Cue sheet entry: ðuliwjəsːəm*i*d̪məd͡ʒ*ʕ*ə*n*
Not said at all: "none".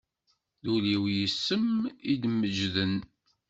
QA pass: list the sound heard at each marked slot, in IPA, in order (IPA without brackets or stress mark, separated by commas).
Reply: i, ð, n